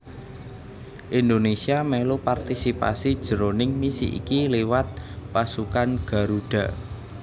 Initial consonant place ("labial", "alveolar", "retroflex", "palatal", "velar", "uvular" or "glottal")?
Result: glottal